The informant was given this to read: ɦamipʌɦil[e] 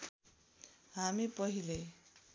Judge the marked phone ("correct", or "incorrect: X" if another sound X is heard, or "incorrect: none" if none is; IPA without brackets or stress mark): correct